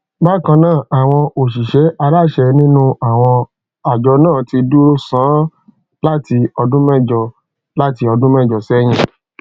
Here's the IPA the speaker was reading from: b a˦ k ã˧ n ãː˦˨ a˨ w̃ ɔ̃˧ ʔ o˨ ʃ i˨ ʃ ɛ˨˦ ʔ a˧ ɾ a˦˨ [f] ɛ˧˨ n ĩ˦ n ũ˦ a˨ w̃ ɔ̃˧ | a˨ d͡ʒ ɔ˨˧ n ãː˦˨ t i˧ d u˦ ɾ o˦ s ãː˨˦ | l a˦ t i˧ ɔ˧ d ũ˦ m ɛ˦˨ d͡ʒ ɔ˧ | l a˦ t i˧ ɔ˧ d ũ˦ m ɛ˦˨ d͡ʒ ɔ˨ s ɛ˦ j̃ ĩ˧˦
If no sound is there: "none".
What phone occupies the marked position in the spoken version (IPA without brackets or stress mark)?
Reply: ʃ